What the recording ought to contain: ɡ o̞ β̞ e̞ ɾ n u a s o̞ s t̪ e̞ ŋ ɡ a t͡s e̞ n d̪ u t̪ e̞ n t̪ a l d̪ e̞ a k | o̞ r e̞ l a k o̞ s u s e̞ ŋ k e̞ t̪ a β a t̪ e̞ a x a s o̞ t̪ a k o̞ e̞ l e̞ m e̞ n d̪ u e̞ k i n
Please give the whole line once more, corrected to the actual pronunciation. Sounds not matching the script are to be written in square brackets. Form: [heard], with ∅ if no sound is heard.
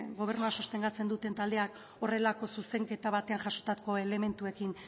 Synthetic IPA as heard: ɡ o̞ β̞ e̞ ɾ n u a s o̞ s t̪ e̞ ŋ ɡ a t͡s e̞ n d̪ u t̪ e̞ n t̪ a l d̪ e̞ a k | o̞ r e̞ l a k o̞ s u s e̞ ŋ k e̞ t̪ a β a t̪ e̞ a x a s o̞ t̪ a k o̞ e̞ l e̞ m e̞ n [t̪] u e̞ k i n